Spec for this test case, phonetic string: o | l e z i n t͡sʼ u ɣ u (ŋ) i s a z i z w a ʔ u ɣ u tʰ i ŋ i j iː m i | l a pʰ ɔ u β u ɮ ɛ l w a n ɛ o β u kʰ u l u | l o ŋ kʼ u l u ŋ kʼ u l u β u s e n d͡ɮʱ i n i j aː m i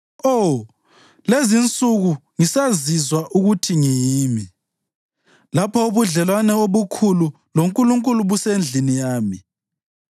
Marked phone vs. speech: correct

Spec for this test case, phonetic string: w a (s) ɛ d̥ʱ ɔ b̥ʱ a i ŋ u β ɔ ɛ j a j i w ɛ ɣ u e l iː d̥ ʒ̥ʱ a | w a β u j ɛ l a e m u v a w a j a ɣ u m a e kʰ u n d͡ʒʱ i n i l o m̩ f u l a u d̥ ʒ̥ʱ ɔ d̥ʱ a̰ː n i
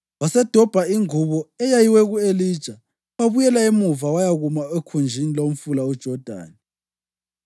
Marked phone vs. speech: correct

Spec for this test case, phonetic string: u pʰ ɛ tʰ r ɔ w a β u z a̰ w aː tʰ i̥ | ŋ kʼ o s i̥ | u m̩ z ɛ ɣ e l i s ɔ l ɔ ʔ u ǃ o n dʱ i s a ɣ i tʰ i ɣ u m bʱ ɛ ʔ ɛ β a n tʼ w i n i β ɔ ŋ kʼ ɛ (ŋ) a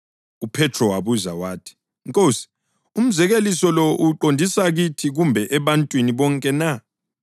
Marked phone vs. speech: incorrect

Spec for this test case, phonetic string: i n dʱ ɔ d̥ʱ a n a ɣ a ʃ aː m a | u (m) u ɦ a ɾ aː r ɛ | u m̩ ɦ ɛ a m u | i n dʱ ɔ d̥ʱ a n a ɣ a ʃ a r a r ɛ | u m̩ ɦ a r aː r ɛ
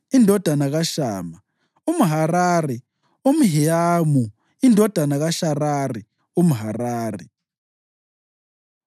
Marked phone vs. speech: correct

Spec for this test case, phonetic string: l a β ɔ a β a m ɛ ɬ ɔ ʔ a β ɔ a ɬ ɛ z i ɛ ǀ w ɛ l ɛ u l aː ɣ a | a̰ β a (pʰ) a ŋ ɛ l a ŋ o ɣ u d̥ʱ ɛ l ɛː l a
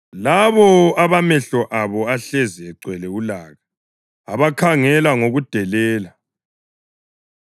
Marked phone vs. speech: incorrect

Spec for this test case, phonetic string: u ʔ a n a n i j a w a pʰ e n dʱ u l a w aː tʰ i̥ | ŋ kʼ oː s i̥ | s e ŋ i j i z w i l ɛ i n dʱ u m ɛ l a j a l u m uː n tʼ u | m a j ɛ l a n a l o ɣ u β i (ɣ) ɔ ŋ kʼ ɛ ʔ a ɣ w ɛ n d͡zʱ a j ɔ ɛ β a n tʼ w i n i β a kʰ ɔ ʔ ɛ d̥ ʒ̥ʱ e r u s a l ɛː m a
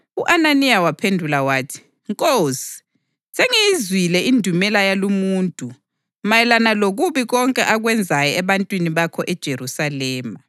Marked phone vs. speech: correct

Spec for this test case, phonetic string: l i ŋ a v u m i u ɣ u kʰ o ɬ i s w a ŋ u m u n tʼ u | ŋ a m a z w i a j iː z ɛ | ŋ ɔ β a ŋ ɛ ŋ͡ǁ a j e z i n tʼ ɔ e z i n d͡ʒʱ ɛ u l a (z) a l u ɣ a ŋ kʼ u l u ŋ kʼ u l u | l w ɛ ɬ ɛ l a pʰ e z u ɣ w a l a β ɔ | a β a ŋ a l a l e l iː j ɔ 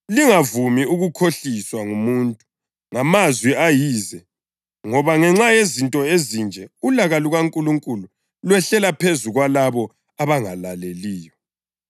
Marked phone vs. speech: incorrect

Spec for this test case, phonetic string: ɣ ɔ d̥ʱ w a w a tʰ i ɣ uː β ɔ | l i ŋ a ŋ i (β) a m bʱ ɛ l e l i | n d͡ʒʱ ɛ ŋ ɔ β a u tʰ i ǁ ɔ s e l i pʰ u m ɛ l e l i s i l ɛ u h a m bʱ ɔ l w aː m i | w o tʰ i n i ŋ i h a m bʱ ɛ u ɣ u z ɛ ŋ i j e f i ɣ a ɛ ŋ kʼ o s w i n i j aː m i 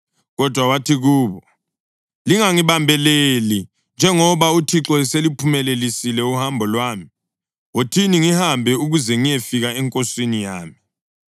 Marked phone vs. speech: correct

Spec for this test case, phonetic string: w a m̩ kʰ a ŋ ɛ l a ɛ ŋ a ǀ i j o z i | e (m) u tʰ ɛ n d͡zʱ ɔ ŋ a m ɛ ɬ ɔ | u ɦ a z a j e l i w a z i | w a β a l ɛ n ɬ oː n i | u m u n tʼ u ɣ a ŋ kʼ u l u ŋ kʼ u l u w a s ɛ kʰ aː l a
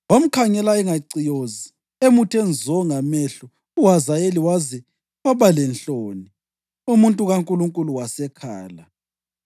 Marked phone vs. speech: correct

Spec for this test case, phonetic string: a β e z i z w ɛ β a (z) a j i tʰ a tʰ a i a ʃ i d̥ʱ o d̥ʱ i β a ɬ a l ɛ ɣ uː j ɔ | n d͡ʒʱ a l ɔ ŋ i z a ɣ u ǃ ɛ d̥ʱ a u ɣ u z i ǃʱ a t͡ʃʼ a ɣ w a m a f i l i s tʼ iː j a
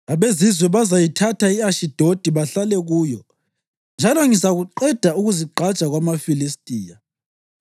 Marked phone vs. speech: correct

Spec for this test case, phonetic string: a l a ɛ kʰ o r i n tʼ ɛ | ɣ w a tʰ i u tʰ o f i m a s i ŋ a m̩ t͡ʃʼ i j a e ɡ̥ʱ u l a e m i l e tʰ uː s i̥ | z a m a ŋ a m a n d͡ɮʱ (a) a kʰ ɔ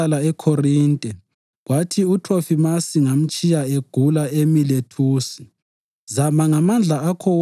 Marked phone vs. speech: correct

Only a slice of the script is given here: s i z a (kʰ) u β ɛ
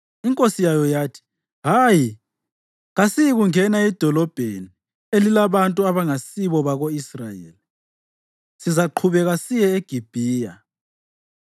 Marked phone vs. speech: incorrect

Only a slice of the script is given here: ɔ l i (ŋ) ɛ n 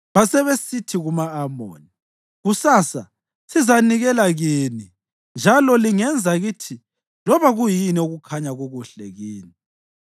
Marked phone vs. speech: correct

